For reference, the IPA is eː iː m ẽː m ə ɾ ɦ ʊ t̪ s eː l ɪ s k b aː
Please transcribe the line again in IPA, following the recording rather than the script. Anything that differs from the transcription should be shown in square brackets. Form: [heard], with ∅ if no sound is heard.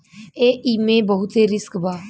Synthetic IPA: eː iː m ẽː [b] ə [∅] ɦ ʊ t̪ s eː [ɾ] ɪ s k b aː